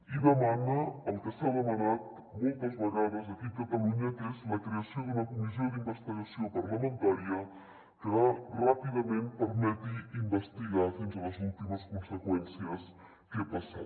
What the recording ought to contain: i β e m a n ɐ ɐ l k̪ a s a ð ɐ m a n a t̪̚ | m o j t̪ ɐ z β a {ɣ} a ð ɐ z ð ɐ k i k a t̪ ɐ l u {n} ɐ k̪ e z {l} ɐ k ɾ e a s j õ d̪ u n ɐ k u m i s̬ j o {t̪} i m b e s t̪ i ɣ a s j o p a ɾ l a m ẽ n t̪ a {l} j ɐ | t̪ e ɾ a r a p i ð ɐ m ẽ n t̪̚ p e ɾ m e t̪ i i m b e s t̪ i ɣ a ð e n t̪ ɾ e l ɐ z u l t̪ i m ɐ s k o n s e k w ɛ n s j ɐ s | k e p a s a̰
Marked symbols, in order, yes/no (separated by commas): yes, no, yes, no, no